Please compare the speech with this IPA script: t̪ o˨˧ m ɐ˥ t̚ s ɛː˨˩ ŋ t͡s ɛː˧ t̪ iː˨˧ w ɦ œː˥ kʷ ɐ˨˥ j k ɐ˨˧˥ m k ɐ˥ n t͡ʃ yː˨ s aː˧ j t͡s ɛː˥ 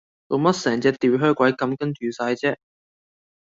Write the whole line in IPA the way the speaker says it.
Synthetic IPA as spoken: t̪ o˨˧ m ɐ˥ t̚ s ɛː˨˩ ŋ t͡s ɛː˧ t̪ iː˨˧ w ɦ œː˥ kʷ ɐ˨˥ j k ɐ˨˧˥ m k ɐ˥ n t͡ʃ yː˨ s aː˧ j t͡s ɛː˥